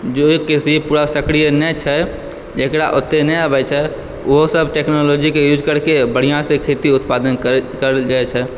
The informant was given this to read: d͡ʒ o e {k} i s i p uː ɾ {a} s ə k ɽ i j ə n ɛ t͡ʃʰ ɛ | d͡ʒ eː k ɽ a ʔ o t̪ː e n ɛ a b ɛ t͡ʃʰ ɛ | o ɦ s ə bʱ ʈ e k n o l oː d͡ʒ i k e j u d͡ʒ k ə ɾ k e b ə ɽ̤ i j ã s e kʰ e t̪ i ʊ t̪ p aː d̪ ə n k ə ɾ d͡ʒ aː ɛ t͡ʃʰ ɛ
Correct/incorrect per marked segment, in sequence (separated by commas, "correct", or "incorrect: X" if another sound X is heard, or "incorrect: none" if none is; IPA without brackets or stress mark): correct, correct